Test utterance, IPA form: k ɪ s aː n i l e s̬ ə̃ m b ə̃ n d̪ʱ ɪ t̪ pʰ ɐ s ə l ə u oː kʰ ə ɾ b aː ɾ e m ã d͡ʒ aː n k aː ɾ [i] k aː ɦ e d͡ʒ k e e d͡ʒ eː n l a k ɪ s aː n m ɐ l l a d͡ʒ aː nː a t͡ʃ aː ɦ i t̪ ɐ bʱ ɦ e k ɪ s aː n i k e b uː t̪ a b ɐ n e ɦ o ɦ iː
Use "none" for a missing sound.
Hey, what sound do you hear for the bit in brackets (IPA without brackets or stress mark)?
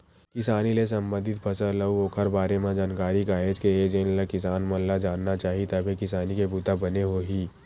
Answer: i